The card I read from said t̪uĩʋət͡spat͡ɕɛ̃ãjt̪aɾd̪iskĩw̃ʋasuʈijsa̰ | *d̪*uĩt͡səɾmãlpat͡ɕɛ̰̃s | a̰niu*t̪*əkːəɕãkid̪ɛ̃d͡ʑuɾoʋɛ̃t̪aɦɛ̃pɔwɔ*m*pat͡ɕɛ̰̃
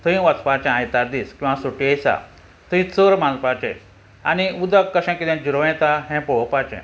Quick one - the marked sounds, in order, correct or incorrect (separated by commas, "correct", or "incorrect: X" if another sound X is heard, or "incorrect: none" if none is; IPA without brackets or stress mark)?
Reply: incorrect: t̪, incorrect: d̪, incorrect: none